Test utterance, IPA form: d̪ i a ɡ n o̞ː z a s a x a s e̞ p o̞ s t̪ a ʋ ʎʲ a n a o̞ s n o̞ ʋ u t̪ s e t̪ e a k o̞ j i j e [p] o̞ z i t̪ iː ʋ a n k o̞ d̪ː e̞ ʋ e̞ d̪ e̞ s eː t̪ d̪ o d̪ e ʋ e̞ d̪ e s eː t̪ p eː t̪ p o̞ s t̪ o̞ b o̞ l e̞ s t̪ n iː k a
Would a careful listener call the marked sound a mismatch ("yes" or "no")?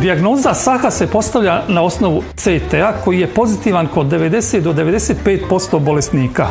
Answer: no